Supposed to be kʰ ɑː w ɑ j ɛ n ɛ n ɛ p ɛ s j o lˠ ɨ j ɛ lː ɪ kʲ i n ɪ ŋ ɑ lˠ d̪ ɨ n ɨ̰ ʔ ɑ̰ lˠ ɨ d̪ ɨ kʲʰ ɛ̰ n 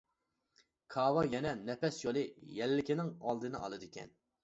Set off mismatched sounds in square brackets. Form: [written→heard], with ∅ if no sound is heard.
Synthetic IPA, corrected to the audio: kʰ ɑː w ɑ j ɛ n ɛ n ɛ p ɛ s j o lˠ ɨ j ɛ lː ɪ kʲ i n ɪ ŋ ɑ lˠ d̪ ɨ n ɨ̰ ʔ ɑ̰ lˠ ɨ d̪ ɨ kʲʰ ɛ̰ n